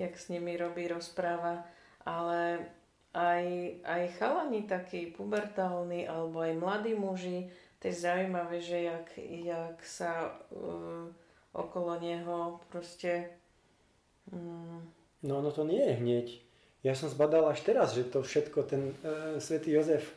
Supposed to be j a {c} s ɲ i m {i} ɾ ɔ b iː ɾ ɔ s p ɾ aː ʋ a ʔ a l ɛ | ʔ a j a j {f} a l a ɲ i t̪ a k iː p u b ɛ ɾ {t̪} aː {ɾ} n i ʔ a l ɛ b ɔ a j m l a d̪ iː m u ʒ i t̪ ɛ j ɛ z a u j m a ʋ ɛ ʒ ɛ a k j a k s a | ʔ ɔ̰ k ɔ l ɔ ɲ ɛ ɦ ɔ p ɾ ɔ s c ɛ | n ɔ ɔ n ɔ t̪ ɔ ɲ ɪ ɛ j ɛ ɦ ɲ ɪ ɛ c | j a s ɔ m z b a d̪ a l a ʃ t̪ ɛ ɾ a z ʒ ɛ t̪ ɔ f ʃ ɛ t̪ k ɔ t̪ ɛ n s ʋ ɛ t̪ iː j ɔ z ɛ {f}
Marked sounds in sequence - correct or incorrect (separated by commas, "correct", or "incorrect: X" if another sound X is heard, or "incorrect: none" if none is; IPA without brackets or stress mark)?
incorrect: k, correct, incorrect: x, correct, incorrect: l, correct